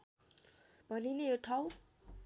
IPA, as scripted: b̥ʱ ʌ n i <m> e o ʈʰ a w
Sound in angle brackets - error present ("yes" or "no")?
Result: yes